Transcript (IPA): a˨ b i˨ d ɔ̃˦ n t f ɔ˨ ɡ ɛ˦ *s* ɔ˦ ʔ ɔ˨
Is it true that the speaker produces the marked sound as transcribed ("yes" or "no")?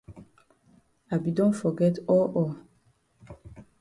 no